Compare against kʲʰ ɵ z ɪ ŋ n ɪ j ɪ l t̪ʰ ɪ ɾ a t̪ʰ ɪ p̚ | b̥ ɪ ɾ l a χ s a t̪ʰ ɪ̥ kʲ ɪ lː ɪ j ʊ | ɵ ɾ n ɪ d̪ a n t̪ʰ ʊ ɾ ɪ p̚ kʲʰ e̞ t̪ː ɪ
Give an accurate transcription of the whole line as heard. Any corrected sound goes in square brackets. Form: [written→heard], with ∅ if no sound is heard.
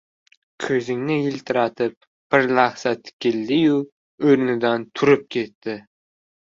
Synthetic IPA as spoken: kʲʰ ɵ z ɪ ŋ n ɪ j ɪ l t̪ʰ ɪ ɾ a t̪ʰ ɪ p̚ | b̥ ɪ ɾ l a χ s a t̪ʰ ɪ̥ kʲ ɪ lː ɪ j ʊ | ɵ ɾ n ɪ d̪ a n t̪ʰ ʊ ɾ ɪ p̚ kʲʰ e̞ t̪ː ɪ